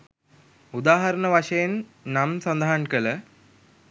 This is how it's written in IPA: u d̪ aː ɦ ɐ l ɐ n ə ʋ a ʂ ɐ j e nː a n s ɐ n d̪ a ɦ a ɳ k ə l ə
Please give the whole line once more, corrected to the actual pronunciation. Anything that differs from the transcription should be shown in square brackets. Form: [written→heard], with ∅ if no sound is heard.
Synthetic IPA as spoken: u d̪ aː ɦ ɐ [l→ɾ] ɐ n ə ʋ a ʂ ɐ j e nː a [n→m] s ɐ n d̪ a ɦ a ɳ k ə l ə